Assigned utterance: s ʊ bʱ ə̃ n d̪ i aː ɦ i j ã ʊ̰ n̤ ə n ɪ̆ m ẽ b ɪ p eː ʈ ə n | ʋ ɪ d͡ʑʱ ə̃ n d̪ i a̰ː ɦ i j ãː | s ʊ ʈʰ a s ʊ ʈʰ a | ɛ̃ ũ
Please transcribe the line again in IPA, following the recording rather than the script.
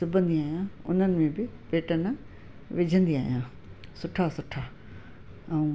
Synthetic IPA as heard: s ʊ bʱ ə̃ n d̪ i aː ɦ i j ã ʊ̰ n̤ ə n ɪ̆ m ẽ b ɪ p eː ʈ ə n | ʋ ɪ d͡ʑʱ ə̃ n d̪ i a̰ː ɦ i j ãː | s ʊ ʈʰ a s ʊ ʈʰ a | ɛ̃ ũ